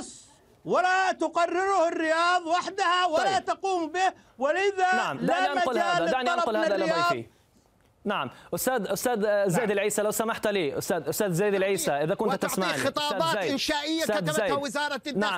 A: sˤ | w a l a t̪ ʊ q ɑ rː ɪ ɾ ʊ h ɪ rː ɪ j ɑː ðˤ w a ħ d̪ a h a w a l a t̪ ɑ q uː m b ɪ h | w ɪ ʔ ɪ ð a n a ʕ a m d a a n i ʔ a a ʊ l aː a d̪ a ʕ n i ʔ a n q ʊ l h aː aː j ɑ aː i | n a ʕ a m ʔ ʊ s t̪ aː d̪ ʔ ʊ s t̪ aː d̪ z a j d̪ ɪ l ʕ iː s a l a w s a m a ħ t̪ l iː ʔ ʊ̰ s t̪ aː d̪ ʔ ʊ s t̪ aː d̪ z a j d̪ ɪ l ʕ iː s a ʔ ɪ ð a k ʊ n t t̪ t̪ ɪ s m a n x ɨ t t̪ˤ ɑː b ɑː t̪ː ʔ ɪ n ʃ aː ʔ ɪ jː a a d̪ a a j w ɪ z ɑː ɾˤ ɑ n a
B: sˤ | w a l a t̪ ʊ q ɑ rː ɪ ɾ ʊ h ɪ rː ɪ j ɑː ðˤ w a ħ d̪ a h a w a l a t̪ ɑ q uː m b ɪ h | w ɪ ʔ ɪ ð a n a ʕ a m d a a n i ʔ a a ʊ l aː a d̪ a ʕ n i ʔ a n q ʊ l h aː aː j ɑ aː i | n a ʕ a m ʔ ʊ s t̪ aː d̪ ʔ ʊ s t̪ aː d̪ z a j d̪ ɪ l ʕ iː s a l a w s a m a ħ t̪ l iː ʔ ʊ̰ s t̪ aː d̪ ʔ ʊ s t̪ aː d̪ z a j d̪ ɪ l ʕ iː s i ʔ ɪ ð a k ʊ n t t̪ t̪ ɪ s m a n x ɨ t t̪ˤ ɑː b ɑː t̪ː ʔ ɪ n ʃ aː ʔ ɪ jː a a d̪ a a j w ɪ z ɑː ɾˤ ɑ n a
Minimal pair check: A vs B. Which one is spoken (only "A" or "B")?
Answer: A